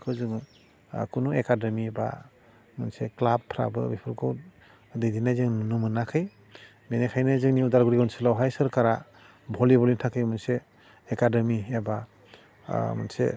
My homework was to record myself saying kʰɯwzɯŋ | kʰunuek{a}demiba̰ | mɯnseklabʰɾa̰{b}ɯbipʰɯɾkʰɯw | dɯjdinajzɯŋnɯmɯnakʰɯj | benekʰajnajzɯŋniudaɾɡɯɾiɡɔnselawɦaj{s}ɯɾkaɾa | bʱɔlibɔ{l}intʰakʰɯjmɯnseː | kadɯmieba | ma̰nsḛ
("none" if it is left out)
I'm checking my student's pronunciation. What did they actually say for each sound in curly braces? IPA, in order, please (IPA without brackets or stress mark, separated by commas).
a, b, s, l